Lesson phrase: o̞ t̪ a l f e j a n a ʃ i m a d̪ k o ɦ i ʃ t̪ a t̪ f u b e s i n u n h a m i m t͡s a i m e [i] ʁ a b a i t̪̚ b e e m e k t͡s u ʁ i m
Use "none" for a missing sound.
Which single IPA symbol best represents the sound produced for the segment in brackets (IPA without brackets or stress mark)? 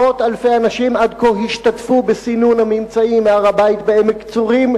a